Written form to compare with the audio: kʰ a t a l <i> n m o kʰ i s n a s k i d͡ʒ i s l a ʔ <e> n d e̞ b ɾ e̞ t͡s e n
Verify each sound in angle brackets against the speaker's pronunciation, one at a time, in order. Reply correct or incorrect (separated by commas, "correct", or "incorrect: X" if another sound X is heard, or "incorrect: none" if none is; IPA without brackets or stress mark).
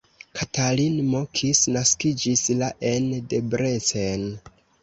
correct, correct